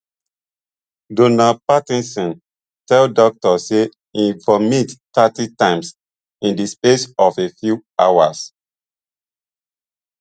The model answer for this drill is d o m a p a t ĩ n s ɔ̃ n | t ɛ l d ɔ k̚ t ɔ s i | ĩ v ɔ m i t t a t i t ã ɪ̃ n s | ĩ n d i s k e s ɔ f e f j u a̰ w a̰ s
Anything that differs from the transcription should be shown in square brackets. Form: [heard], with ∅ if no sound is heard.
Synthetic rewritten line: d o [n] a p a t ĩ n s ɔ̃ n | t ɛ l d ɔ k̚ t ɔ s [e] | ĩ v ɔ m i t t a t i t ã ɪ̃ [m] s | ĩ n d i s [p] e s ɔ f e f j u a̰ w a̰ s